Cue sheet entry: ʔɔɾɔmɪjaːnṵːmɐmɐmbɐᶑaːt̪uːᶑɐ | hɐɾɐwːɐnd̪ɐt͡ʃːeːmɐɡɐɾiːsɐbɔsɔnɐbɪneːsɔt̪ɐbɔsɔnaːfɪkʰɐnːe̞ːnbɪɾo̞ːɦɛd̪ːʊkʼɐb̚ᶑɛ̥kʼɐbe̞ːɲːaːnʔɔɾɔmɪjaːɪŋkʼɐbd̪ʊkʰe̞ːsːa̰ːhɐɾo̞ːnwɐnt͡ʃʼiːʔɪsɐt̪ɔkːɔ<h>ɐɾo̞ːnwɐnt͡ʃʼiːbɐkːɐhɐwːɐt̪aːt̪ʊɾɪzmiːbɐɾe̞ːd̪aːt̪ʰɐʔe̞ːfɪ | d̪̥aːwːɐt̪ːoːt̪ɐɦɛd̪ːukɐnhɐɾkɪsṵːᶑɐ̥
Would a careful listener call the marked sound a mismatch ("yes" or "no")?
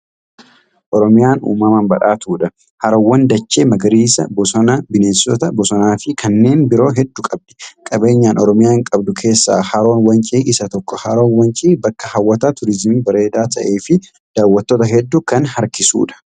no